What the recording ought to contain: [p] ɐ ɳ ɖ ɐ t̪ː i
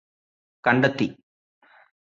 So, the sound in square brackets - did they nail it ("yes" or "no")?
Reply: no